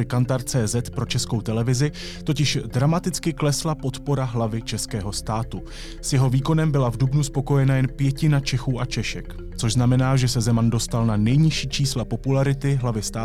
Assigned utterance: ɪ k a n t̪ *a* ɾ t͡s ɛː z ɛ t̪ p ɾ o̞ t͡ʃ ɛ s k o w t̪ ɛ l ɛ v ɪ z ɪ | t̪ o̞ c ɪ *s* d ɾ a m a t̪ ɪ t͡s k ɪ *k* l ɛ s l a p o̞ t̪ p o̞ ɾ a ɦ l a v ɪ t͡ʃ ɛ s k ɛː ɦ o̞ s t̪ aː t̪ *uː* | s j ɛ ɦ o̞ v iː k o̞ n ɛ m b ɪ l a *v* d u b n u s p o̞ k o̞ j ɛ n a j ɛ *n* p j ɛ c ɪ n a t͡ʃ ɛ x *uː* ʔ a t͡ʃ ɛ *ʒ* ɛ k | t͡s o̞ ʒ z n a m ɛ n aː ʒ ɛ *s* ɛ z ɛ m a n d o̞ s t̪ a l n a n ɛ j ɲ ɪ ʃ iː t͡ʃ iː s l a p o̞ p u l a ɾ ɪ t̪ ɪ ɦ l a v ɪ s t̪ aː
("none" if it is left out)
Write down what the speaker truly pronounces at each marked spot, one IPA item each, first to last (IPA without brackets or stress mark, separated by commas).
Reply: a, ʃ, k, u, v, n, uː, ʃ, s